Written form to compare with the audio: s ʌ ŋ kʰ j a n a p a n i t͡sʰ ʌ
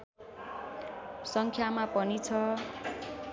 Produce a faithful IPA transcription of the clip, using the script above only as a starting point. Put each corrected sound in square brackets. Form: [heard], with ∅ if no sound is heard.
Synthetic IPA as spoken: s ʌ ŋ kʰ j a [m] a p [ʌ] n i t͡sʰ ʌ